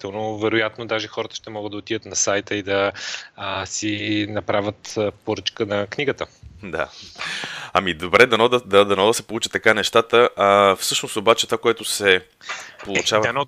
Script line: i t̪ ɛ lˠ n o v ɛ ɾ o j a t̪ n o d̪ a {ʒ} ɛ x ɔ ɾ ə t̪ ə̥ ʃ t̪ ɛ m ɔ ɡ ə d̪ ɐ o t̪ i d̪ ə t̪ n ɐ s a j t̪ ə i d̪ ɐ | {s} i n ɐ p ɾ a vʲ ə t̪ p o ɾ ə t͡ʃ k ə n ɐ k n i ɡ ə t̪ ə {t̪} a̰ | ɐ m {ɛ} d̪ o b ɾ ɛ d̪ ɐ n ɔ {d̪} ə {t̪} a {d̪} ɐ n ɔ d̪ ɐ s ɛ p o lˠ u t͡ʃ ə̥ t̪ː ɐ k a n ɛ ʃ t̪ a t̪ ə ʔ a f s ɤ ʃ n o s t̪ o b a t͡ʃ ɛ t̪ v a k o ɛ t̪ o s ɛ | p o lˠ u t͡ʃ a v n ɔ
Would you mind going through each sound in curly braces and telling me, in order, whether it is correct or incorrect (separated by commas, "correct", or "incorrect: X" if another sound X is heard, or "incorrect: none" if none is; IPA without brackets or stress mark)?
correct, correct, incorrect: d̪, incorrect: i, correct, incorrect: d̪, correct